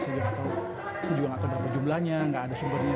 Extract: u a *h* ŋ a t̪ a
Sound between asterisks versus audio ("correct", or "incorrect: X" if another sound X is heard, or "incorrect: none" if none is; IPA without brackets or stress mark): incorrect: none